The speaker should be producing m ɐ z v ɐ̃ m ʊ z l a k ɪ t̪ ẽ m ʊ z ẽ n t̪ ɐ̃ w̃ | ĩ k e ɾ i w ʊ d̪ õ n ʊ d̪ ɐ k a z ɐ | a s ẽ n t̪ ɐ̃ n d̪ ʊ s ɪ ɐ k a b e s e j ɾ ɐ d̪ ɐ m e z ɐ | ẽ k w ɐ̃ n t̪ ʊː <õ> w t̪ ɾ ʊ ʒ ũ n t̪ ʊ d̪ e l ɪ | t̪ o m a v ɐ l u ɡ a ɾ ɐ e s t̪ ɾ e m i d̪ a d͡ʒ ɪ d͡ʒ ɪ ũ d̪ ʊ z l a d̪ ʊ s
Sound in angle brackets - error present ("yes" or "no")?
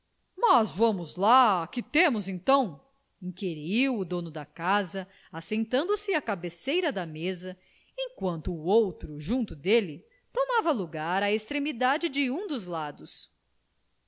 yes